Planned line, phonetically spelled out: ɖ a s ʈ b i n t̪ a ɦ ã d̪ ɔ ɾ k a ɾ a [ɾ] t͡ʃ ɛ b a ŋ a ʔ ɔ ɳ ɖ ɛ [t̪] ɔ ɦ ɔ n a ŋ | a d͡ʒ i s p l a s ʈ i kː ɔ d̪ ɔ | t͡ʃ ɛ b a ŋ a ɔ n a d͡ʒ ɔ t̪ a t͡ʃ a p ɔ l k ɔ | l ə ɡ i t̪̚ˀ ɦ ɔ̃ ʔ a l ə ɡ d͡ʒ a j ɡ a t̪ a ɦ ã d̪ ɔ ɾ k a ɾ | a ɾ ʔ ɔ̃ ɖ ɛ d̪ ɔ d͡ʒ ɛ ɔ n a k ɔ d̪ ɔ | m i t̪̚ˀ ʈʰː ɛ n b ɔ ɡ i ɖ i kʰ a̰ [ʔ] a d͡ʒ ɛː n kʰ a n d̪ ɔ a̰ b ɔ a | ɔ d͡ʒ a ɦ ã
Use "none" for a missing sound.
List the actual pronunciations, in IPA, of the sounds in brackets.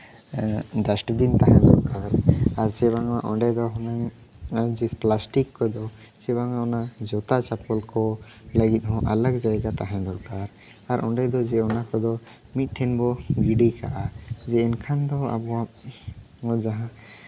ɾ, d̪, ʔ

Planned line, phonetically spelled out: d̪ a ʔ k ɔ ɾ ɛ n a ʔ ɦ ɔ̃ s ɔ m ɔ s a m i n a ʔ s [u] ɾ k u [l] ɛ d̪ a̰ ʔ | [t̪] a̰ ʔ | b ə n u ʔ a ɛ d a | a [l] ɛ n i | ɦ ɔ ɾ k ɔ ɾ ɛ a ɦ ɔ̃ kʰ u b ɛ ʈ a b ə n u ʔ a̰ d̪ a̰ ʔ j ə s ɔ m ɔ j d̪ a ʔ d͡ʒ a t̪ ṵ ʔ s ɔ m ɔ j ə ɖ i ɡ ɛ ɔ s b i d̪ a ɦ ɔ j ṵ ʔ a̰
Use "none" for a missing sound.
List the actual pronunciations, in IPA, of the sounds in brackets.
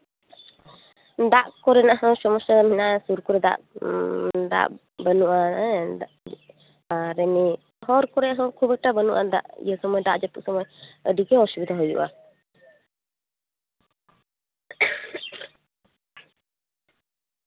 u, ɾ, d̪, ɾ

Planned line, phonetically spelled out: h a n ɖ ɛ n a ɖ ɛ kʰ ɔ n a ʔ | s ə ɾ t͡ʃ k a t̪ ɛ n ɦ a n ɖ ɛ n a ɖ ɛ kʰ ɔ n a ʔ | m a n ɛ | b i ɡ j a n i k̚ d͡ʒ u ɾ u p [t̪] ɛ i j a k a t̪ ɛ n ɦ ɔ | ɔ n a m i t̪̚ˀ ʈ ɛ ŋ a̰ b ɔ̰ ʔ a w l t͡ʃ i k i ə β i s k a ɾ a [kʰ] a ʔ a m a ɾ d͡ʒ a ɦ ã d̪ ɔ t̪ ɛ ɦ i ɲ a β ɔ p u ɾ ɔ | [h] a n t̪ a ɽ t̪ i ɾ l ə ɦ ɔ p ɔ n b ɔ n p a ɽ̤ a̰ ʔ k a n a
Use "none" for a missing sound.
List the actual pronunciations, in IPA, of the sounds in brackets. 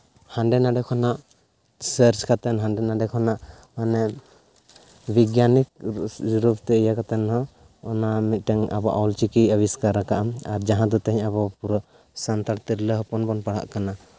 t̪, k, s

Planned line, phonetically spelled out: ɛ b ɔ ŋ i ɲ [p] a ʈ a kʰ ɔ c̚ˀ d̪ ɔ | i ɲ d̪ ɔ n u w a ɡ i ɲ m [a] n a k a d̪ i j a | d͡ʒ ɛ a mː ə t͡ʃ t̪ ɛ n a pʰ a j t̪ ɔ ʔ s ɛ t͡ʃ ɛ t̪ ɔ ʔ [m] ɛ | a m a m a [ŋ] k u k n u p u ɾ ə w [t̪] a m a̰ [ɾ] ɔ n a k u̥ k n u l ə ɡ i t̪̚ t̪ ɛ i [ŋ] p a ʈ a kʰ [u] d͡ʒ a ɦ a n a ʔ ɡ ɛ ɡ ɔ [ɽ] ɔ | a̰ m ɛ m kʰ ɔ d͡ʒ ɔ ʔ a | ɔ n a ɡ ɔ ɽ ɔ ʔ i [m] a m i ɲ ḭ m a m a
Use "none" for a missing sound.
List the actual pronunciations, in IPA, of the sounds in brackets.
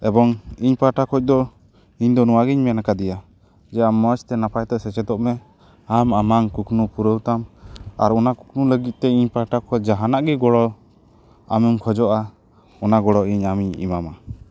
p, ɛ, m, ŋ, t̪, ɾ, ɲ, ɔ, ɽ, ɲ

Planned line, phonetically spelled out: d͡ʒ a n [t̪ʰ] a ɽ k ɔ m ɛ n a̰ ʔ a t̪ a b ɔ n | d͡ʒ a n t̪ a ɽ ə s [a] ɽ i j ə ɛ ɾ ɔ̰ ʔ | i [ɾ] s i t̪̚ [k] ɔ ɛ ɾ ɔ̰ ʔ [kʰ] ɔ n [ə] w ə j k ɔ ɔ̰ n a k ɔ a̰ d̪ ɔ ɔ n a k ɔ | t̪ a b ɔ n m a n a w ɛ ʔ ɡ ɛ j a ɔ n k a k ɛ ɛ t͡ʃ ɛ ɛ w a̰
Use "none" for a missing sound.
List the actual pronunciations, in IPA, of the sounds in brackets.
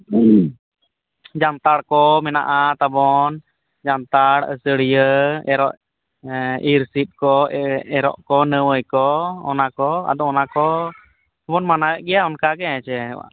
t̪, ə, ɾ, k, k, ə

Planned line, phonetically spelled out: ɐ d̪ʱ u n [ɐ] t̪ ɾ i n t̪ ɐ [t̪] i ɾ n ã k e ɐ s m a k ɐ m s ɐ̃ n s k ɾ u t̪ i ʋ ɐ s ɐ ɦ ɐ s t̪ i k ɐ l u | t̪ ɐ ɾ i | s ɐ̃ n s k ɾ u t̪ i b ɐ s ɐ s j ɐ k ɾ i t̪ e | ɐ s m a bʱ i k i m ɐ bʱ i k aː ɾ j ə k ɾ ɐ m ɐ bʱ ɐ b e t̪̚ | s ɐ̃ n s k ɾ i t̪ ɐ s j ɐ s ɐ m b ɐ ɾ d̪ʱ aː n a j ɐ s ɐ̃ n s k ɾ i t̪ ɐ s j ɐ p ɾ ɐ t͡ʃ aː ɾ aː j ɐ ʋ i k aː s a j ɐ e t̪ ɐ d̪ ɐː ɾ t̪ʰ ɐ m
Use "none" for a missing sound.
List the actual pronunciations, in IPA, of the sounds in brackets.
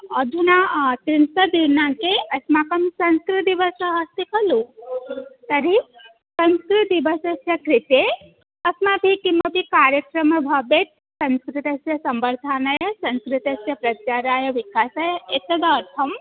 a, d̪

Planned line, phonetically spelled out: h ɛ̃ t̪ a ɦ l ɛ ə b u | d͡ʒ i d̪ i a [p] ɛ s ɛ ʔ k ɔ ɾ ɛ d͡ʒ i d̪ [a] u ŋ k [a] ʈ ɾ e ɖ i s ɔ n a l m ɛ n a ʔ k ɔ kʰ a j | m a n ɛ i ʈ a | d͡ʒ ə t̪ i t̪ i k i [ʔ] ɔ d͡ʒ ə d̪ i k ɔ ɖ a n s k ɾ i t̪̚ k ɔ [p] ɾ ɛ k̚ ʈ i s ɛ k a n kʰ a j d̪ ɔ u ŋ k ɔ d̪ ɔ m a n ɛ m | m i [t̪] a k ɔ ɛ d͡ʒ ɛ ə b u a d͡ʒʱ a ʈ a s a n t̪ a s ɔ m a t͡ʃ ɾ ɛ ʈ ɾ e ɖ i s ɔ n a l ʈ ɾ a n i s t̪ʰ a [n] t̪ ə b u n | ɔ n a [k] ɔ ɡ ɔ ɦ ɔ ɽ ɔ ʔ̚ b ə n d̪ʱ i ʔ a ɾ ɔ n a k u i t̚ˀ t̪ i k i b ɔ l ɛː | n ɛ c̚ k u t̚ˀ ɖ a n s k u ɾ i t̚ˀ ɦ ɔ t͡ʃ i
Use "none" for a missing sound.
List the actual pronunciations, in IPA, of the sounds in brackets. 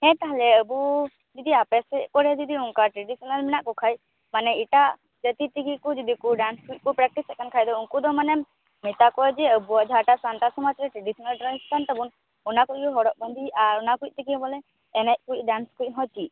p, i, a, k, p, t̪, n, k

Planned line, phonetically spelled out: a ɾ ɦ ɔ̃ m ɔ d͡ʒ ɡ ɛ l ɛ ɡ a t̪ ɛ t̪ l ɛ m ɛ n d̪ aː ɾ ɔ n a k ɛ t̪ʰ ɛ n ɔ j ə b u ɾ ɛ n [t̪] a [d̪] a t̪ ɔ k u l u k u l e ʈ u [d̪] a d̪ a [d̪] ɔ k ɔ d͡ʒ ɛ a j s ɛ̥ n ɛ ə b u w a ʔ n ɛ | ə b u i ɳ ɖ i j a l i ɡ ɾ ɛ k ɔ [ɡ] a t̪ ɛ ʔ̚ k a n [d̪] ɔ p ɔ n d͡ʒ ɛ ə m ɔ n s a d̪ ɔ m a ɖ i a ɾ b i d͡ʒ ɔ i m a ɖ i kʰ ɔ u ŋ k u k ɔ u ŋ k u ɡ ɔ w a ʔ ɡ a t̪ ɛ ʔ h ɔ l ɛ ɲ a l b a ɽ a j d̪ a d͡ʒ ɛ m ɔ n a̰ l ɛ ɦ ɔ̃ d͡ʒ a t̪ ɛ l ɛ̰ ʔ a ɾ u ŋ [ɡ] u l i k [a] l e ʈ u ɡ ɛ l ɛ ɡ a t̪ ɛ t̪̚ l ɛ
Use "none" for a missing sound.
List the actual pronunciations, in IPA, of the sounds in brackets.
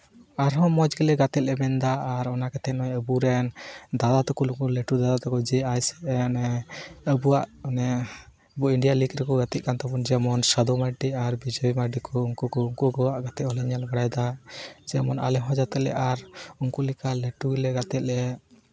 d̪, d̪, d̪, t̪, ɡ, t̪, k, a

